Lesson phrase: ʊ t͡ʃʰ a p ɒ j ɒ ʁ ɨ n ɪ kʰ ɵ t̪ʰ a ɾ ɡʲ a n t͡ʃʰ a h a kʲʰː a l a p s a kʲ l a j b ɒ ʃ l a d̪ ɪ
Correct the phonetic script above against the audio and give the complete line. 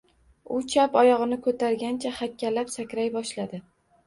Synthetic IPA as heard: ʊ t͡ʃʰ a p ɒ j ɒ ʁ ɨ n ɪ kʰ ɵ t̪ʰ a ɾ ɡʲ a n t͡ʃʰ a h a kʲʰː a l a p s a kʲ ɾ a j b ɒ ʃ l a d̪ ɪ